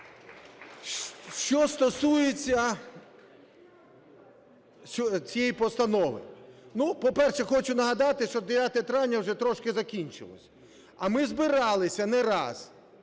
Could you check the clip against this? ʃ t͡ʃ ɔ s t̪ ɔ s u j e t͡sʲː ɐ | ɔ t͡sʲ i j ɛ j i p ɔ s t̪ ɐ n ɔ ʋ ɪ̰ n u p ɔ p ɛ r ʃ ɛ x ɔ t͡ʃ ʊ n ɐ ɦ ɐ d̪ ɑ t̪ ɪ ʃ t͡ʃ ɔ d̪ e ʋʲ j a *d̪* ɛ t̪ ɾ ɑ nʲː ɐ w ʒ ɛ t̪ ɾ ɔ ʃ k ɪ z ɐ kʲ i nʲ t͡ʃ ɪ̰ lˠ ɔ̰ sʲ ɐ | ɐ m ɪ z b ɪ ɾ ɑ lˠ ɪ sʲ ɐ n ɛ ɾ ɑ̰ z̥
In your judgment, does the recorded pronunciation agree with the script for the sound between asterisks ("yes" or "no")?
no